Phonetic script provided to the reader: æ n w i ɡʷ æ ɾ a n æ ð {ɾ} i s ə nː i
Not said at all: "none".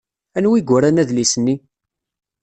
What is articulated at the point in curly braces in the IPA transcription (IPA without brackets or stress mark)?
l